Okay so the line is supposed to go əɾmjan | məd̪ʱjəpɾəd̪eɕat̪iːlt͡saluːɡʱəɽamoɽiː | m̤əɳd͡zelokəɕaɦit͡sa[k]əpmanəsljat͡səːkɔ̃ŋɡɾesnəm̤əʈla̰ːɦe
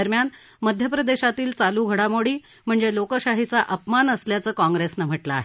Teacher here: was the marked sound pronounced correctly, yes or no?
no